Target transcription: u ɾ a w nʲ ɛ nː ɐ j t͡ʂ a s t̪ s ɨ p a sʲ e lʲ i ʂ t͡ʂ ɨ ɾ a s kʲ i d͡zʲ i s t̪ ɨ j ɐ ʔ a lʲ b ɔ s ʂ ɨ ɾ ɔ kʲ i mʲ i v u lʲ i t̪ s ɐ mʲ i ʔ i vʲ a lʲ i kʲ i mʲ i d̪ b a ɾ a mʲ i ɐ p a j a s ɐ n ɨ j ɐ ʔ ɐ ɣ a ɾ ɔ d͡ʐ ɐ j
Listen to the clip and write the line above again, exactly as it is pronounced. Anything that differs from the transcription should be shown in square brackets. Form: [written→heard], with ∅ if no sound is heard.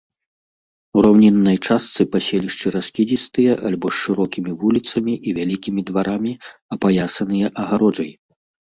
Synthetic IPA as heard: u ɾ a w nʲ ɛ nː ɐ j t͡ʂ a s t̪ s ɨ p a sʲ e lʲ i ʂ t͡ʂ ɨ ɾ a s kʲ i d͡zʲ i s t̪ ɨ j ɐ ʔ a lʲ b ɔ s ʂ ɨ ɾ ɔ kʲ i mʲ i v u lʲ i t̪ s ɐ mʲ i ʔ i vʲ a lʲ i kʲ i mʲ i d̪ [b→v] a ɾ a mʲ i ɐ p a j a s ɐ n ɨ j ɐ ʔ ɐ ɣ a ɾ ɔ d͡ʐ ɐ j